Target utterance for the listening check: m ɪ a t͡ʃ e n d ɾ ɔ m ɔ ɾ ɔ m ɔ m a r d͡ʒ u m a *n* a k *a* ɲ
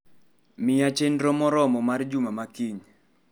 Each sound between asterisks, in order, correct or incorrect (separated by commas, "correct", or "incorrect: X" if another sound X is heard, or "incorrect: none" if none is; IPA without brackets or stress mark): incorrect: m, incorrect: i